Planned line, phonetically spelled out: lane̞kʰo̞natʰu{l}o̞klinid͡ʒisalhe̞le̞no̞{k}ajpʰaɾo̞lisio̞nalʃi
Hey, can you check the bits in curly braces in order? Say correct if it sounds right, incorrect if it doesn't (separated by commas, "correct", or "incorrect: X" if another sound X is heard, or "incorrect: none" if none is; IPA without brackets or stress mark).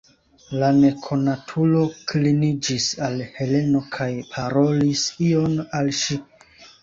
correct, incorrect: kʰ